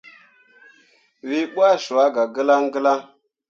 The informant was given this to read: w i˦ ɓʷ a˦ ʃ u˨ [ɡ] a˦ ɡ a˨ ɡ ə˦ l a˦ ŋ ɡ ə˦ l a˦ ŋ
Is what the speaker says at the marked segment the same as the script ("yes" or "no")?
no